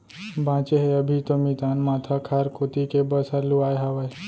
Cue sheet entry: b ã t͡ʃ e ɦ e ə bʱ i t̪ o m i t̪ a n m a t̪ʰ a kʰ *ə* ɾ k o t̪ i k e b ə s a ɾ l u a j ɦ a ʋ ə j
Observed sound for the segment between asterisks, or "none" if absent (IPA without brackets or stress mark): a